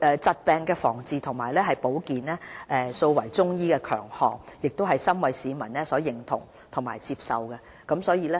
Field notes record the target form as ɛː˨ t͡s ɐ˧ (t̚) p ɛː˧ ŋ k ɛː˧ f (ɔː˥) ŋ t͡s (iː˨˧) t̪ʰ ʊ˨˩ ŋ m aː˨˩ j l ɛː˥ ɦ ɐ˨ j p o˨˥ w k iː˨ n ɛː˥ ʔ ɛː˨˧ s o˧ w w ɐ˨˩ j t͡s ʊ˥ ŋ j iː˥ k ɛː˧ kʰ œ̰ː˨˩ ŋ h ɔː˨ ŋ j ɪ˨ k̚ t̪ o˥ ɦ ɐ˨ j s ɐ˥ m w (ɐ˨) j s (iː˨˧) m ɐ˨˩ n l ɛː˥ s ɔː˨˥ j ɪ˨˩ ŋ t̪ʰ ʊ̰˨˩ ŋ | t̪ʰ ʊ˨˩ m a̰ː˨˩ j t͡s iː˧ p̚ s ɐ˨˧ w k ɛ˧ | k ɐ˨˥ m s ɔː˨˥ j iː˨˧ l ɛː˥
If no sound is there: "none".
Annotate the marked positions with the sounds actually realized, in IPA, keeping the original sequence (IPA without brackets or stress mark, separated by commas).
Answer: t̚, ɔː˨˩, iː˨˧, ɐ˨, iː˨˧